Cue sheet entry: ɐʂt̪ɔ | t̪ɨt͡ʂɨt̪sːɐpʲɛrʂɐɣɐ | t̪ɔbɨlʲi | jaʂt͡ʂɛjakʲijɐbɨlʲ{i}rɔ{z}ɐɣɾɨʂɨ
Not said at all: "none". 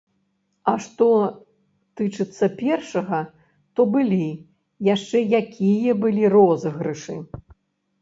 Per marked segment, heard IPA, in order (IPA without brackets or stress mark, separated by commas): i, z